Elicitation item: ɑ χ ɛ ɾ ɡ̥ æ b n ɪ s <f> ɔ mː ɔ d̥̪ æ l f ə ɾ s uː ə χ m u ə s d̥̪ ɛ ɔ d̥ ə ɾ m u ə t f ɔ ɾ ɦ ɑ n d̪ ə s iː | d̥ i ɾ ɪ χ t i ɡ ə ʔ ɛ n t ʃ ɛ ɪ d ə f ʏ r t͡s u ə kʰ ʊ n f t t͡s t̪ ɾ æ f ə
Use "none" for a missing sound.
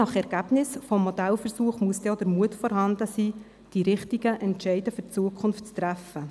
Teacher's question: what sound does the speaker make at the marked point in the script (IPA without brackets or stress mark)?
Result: f